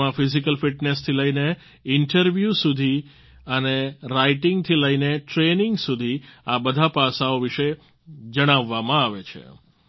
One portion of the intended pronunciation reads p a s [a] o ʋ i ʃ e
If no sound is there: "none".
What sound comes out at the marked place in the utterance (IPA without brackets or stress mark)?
a